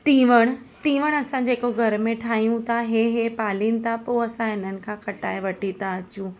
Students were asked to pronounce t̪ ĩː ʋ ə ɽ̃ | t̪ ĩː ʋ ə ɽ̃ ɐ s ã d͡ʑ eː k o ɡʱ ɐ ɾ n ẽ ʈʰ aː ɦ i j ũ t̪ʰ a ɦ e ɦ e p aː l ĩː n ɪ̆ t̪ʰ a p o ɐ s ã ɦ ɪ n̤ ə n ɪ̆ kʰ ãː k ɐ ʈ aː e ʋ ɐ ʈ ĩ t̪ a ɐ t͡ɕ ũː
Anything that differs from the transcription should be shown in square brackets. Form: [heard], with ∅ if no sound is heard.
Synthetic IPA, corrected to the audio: t̪ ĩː ʋ ə ɽ̃ | t̪ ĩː ʋ ə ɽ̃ ɐ s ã d͡ʑ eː k o ɡʱ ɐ ɾ [m] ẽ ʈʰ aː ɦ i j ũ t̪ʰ a ɦ e ɦ e p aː l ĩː n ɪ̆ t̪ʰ a p o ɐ s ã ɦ ɪ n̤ ə n ɪ̆ kʰ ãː k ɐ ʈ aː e ʋ ɐ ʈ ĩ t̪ a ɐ t͡ɕ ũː